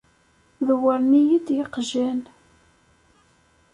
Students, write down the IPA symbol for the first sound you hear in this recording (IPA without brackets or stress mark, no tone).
ð